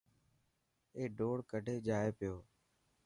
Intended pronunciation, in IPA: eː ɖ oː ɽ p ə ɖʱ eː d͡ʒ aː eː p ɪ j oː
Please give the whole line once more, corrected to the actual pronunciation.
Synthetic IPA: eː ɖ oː ɽ k ə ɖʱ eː d͡ʒ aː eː p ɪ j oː